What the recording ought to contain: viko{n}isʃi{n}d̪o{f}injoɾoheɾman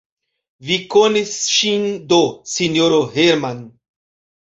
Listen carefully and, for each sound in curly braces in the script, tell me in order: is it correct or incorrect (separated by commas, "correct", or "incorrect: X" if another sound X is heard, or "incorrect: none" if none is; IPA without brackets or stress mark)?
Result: correct, correct, incorrect: s